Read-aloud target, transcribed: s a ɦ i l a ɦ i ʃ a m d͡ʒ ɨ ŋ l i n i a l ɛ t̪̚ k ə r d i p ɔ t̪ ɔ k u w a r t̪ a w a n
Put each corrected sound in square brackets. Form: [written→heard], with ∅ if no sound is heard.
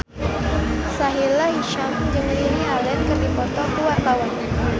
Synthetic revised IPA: s a ɦ i l a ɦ i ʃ a m d͡ʒ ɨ ŋ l i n i a l ɛ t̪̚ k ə r d i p ɔ t̪ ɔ k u w a r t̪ a w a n